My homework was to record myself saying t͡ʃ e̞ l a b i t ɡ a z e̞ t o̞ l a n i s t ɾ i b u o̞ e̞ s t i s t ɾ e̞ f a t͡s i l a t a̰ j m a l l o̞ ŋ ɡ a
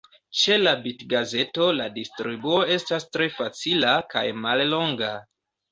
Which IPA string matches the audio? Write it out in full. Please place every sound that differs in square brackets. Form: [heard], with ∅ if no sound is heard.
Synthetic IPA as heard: t͡ʃ e̞ l a b i t ɡ a z e̞ t o̞ l a [d] i s t ɾ i b u o̞ e̞ s t [a] s t ɾ e̞ f a t͡s i l a [k] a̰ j m a l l o̞ ŋ ɡ a